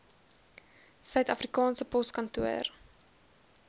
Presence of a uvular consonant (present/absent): absent